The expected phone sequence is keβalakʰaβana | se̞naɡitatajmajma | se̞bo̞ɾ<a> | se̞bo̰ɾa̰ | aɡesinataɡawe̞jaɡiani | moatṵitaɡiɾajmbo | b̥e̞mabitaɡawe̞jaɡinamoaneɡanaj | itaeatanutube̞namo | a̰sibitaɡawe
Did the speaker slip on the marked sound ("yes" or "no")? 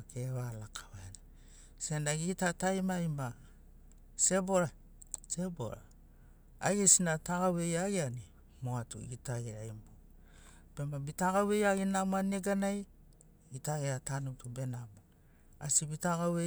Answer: no